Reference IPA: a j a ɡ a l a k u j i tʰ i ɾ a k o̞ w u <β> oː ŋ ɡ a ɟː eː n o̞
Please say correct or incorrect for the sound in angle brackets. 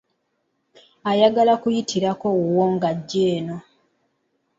incorrect: w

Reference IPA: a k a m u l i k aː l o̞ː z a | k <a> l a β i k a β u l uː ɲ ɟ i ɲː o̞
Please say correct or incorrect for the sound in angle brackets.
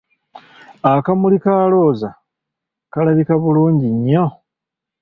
correct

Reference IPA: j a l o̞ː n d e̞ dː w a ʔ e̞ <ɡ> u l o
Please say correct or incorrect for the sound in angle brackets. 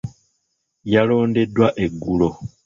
incorrect: ɡː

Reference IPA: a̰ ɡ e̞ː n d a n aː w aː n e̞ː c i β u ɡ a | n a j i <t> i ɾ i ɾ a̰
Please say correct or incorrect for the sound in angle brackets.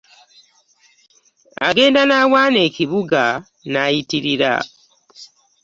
correct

